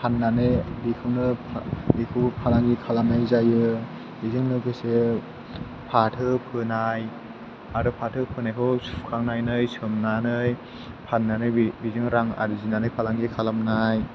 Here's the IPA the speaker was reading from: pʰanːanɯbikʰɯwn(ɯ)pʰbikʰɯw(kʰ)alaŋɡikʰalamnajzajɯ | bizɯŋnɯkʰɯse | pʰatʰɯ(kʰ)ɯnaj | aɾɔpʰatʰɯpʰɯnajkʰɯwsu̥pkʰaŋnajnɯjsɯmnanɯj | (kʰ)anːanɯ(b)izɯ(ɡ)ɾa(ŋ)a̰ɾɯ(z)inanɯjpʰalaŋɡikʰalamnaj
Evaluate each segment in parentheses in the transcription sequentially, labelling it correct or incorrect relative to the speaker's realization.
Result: correct, incorrect, incorrect, incorrect, correct, incorrect, correct, correct

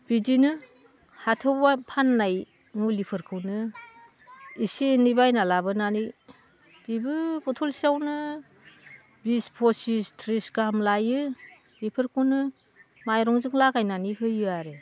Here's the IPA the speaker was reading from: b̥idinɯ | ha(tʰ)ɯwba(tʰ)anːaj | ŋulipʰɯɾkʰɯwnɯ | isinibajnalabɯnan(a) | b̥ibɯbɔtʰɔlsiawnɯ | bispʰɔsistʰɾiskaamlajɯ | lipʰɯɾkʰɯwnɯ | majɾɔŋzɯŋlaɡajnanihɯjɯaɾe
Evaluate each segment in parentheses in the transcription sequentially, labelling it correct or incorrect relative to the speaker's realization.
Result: correct, incorrect, incorrect

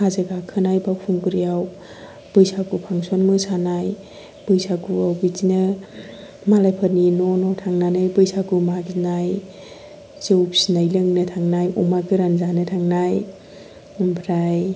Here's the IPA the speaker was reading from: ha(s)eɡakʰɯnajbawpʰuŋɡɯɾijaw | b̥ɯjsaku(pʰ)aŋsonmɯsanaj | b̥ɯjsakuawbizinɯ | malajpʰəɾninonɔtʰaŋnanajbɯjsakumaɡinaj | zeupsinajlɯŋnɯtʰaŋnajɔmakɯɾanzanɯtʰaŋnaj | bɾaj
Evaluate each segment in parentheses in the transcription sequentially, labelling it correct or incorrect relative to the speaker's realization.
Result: incorrect, correct

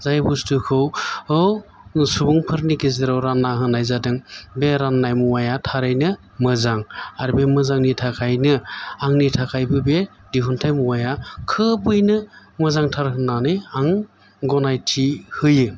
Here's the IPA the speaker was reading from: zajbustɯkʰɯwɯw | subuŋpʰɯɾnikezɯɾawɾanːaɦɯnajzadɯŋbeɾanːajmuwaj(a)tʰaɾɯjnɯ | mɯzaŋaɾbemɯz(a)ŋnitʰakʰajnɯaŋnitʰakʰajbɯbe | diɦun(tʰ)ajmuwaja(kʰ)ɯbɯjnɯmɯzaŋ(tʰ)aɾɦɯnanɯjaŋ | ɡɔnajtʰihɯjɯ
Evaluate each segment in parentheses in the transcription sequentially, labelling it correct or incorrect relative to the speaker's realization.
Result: correct, correct, correct, correct, correct

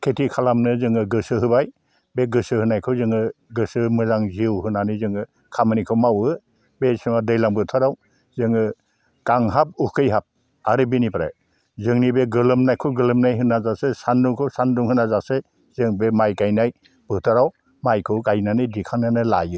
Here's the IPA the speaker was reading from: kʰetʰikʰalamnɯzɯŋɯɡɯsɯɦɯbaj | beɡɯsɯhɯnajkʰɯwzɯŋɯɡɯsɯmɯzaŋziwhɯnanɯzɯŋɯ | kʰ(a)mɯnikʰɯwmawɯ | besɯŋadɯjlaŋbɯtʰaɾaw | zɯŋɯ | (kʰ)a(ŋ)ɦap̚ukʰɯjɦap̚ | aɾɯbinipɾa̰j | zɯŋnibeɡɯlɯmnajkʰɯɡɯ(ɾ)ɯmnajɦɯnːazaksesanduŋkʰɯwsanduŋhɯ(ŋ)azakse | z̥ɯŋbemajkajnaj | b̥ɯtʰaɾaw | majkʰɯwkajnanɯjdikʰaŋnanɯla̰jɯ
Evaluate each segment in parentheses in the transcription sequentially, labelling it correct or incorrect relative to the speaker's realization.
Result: correct, incorrect, correct, incorrect, incorrect

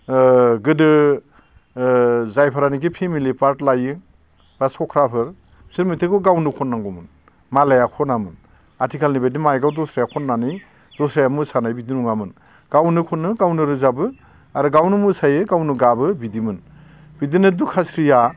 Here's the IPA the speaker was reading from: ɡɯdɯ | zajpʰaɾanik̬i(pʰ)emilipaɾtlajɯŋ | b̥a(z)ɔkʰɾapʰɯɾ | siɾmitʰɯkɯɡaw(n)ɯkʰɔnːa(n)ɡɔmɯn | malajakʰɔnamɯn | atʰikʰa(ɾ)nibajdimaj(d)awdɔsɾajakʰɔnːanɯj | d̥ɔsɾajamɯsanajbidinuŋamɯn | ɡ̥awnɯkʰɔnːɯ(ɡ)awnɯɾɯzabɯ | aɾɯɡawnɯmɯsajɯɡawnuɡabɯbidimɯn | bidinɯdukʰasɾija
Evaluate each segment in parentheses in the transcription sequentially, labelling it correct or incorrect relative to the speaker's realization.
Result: correct, incorrect, correct, incorrect, incorrect, incorrect, correct

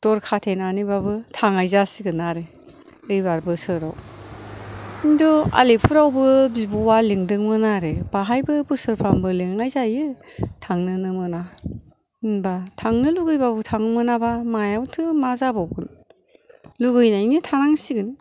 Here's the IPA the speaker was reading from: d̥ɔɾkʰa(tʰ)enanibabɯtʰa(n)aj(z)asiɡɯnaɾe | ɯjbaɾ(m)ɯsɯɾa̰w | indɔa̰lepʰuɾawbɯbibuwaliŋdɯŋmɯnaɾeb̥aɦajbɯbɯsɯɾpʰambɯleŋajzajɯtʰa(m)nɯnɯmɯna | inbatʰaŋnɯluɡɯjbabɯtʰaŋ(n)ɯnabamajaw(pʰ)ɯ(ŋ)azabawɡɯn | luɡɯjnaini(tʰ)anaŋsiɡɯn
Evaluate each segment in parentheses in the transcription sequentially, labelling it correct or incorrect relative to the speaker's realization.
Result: correct, incorrect, correct, incorrect, incorrect, incorrect, incorrect, incorrect, correct

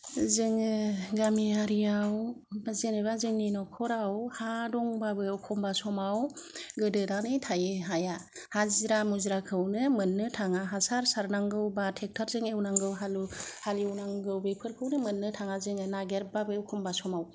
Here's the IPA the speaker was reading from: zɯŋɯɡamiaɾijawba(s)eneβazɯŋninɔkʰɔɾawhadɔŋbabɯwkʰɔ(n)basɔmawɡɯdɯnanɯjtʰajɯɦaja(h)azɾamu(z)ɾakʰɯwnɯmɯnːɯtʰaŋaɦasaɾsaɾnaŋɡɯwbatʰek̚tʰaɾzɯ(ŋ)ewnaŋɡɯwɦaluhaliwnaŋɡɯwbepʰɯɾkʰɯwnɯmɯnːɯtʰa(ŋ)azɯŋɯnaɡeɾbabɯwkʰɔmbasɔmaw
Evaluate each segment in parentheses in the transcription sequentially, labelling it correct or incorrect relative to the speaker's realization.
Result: incorrect, incorrect, correct, correct, correct, correct

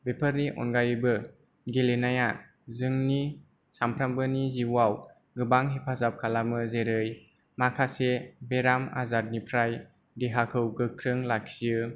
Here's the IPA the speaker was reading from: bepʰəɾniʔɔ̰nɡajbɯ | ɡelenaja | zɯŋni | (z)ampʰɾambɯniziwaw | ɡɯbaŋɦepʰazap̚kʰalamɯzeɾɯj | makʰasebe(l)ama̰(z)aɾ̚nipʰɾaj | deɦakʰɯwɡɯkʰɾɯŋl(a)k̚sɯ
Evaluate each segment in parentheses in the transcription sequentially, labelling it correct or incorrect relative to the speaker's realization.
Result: incorrect, incorrect, correct, correct

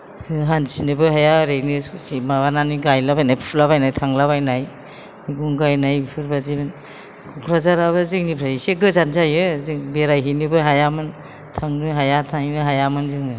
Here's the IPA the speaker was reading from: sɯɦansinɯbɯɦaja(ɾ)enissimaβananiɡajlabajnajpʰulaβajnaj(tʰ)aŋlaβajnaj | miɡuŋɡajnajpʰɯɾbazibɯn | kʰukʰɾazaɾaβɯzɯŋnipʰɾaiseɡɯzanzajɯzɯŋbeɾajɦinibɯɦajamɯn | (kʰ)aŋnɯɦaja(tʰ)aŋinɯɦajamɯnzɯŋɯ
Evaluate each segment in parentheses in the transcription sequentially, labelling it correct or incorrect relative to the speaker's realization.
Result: correct, correct, incorrect, correct

